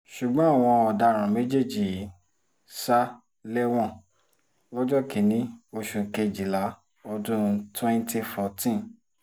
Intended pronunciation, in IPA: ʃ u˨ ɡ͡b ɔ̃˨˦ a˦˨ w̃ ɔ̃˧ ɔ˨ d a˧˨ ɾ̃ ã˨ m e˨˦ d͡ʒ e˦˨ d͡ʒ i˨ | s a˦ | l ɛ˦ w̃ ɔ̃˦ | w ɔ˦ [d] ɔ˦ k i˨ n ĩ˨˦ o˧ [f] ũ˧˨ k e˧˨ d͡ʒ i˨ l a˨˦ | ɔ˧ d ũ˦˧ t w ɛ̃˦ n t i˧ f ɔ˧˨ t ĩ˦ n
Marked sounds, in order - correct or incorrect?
incorrect: d͡ʒ, incorrect: ʃ

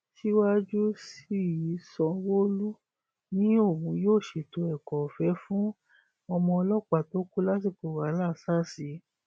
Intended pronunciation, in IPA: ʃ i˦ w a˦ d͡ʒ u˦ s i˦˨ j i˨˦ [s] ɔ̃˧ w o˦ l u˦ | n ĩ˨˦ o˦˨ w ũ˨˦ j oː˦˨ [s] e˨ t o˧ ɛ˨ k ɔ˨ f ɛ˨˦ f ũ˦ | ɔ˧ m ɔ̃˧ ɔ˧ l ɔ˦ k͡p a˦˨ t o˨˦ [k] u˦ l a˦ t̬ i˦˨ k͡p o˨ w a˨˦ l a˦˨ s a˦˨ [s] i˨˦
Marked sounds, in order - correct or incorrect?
correct, incorrect: ʃ, correct, correct

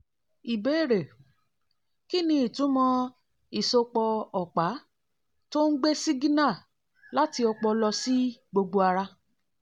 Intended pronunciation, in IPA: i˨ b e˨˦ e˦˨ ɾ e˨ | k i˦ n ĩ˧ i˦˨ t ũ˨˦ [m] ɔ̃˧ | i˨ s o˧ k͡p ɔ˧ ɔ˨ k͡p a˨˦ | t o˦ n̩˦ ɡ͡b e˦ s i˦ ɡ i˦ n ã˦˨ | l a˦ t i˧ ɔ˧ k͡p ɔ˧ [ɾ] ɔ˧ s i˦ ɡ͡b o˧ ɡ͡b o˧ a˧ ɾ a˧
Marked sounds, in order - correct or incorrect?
correct, incorrect: l

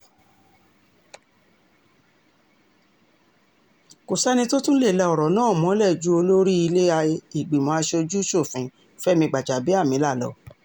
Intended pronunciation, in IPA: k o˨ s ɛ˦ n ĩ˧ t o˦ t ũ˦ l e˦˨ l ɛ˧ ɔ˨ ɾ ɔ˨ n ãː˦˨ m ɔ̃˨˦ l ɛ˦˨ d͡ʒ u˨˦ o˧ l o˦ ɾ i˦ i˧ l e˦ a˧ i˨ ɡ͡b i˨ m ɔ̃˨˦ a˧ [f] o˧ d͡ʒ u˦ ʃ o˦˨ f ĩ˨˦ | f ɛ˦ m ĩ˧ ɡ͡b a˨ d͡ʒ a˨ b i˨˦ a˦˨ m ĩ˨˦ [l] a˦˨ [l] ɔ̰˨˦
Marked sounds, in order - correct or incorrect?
incorrect: ʃ, correct, correct

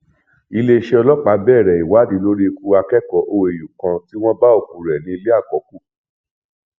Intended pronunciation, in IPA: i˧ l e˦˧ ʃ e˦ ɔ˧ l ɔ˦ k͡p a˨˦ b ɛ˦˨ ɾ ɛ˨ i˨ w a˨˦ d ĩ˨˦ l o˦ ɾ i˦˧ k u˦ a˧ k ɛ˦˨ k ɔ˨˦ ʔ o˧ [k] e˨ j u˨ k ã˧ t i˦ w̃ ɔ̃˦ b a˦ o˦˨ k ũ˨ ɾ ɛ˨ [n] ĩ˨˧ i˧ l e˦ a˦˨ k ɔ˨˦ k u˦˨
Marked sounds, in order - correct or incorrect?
incorrect: none, correct

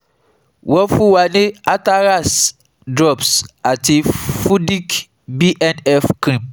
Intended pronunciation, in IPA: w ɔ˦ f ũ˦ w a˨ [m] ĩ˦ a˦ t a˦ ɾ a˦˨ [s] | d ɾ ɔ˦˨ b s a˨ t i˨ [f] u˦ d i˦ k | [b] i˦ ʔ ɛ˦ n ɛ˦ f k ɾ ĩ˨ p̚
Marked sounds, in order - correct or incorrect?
incorrect: n, correct, correct, correct

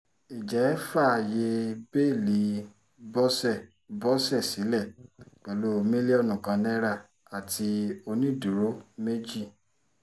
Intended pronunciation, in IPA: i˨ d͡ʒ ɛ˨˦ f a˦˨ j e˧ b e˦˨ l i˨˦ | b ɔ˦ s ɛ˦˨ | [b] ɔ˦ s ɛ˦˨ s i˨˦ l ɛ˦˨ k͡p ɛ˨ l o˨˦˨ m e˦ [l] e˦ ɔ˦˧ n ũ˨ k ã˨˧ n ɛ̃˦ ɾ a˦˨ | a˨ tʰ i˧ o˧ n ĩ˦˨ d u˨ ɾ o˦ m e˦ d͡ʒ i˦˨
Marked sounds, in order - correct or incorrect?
correct, correct

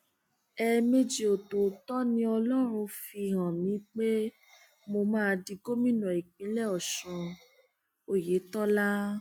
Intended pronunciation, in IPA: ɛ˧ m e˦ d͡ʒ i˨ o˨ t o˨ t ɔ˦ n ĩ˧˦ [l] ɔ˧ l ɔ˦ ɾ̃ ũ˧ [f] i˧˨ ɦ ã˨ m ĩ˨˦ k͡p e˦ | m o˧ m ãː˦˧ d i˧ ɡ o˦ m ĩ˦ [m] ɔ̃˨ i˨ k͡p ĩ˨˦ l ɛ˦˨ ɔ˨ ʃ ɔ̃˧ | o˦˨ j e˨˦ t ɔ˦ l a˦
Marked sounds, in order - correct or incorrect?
incorrect: none, correct, incorrect: n

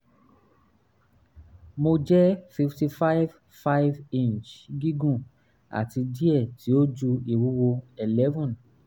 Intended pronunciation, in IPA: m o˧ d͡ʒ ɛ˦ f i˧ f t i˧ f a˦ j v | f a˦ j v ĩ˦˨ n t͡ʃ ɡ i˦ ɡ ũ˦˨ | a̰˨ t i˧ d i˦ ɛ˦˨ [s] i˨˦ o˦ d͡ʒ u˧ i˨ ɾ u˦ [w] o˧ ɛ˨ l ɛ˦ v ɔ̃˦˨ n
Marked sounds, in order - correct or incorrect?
incorrect: t, correct

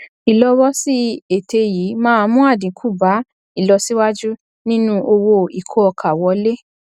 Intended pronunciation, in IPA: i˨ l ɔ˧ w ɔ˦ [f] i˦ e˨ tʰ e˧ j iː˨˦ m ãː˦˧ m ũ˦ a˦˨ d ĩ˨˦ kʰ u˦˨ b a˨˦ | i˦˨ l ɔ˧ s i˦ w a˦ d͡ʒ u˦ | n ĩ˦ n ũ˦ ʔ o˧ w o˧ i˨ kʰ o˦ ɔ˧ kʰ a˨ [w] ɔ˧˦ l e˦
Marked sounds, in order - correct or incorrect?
incorrect: s, correct

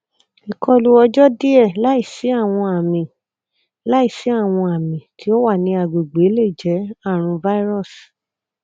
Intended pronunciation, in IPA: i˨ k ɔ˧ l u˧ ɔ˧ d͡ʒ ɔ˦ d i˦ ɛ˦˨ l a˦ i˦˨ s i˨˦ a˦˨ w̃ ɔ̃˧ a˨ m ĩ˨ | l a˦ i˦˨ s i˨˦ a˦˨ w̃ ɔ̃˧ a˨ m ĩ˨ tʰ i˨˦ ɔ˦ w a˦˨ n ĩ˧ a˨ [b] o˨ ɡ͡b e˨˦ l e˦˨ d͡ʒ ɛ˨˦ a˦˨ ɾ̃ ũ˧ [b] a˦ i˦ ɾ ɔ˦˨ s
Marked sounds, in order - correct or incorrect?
incorrect: ɡ͡b, incorrect: v

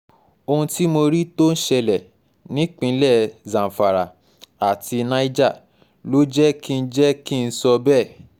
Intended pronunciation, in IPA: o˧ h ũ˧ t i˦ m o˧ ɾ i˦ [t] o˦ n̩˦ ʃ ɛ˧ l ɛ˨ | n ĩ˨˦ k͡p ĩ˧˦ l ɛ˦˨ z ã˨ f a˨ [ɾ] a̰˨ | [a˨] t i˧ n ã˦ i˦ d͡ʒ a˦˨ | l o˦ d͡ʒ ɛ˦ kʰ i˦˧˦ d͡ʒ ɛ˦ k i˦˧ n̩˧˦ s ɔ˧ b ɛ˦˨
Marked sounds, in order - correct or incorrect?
correct, correct, correct

